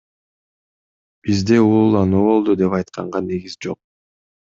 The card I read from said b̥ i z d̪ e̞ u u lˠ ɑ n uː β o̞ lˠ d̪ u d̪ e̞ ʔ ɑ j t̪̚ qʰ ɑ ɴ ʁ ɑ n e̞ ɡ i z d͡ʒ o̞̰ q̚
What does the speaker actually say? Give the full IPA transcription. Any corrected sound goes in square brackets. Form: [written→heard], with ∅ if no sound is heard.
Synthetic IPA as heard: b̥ i z d̪ e̞ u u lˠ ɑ n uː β o̞ lˠ d̪ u d̪ e̞ [ʔ→p] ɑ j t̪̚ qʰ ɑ ɴ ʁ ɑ n e̞ ɡ i z d͡ʒ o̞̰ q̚